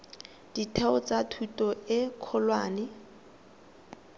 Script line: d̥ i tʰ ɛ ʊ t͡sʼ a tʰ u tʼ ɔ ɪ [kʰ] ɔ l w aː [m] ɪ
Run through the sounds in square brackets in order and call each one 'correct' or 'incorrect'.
correct, incorrect

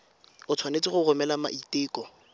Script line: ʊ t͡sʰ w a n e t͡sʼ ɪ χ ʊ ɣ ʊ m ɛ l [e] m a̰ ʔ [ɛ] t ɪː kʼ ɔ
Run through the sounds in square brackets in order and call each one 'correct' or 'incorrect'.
incorrect, incorrect

